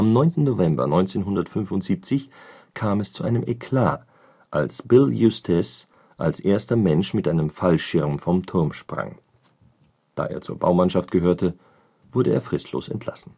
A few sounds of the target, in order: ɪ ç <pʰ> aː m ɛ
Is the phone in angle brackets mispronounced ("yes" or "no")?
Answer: yes